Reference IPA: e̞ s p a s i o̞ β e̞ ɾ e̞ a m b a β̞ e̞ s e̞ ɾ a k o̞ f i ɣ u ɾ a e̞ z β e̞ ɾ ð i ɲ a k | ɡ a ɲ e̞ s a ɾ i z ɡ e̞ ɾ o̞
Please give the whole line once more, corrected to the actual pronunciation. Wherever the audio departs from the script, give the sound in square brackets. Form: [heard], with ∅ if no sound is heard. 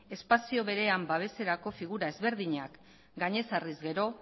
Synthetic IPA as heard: e̞ s p a s i o̞ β e̞ ɾ e̞ a m b a β̞ e̞ s e̞ ɾ a k o̞ f i ɣ u ɾ a e̞ z β e̞ ɾ ð i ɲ a k | ɡ a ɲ e̞ s a [r] i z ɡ e̞ ɾ o̞